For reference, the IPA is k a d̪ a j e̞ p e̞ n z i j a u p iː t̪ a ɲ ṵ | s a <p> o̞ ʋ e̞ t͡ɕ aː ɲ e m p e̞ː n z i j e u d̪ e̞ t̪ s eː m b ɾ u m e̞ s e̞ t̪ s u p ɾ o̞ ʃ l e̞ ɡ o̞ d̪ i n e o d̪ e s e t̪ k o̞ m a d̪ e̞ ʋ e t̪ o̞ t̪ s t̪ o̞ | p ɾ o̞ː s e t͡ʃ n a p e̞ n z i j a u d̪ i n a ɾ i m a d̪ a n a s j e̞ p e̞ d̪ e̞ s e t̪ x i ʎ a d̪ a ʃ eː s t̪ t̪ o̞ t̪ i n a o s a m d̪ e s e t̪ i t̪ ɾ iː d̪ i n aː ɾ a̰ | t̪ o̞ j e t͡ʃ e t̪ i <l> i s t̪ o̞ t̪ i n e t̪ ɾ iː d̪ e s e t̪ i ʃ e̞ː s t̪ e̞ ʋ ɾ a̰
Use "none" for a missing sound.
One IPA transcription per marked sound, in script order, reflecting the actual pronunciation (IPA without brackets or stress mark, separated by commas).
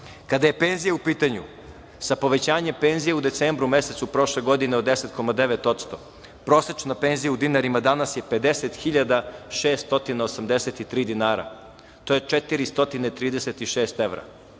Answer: p, ɾ